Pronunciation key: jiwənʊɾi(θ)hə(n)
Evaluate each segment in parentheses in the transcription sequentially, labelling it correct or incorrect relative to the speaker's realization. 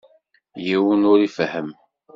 incorrect: f, incorrect: m

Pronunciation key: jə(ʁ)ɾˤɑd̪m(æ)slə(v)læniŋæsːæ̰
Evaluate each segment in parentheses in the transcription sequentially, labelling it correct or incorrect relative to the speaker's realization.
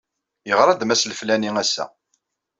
correct, correct, incorrect: f

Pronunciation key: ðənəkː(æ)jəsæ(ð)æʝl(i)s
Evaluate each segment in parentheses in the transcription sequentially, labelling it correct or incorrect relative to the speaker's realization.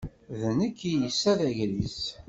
incorrect: i, correct, correct

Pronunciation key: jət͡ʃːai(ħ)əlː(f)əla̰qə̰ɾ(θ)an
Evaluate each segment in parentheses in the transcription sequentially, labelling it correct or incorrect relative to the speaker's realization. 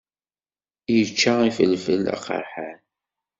incorrect: f, correct, incorrect: ħ

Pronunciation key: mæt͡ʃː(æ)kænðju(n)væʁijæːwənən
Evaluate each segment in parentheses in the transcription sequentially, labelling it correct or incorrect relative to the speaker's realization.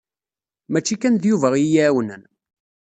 incorrect: i, incorrect: none

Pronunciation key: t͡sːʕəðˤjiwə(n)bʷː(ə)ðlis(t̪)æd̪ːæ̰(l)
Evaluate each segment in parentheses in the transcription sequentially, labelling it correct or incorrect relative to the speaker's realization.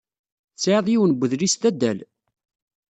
correct, correct, correct, correct

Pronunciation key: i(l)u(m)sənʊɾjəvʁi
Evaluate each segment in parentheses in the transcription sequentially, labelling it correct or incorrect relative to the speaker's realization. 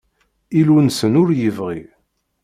correct, incorrect: n

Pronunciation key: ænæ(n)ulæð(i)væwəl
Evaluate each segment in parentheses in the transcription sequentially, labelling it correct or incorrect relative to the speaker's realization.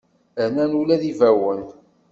correct, correct

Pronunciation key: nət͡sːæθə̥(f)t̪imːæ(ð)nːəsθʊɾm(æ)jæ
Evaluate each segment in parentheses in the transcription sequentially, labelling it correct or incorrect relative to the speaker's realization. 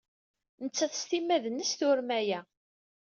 incorrect: s, correct, correct

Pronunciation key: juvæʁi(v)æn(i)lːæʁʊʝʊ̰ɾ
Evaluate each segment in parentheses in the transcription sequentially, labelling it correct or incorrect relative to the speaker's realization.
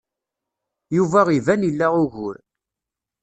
correct, correct

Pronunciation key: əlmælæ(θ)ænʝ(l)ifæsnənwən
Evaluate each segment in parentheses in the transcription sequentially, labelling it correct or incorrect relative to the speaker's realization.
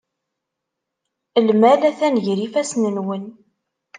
correct, incorrect: ɾ

